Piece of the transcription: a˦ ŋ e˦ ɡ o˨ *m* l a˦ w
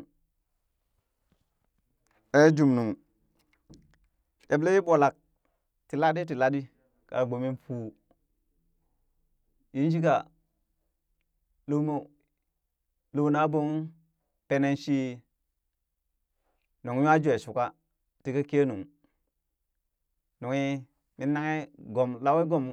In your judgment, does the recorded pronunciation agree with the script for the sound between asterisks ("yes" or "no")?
yes